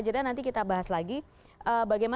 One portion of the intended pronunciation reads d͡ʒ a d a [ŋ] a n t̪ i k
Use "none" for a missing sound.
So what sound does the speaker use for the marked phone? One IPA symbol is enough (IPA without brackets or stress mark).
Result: n